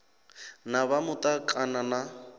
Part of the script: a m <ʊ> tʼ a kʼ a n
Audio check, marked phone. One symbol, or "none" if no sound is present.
ʊ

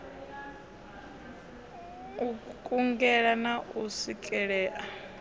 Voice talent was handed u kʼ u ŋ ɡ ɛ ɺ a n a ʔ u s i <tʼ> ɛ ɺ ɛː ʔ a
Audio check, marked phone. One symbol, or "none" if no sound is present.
kʼ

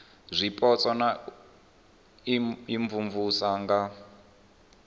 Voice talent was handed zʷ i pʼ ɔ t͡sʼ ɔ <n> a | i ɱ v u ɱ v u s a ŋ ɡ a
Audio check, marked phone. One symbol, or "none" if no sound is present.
n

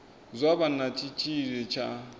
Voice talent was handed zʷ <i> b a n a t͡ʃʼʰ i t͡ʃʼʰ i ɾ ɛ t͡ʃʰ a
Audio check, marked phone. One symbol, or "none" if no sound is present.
a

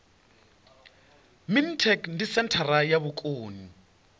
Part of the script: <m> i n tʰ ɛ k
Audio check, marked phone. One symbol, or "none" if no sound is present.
m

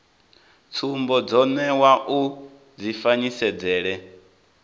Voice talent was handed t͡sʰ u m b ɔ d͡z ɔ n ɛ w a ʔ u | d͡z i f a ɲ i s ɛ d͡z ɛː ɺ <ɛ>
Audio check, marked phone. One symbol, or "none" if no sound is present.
ɛ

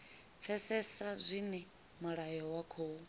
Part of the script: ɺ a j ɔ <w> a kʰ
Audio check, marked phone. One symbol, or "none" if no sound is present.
w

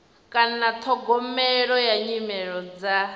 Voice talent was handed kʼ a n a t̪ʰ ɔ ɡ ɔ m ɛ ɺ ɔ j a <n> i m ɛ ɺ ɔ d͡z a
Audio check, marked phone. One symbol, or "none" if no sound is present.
ɲ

